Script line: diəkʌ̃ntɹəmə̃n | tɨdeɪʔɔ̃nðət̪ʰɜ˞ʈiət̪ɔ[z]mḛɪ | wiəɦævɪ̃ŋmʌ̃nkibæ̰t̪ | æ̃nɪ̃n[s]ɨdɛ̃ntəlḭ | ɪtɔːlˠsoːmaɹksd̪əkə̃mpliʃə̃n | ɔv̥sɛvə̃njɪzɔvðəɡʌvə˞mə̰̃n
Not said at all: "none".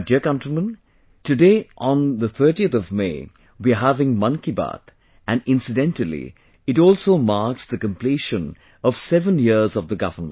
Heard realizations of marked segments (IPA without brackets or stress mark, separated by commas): v, s